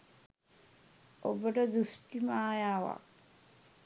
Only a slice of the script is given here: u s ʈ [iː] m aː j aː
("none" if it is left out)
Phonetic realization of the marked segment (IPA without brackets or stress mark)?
i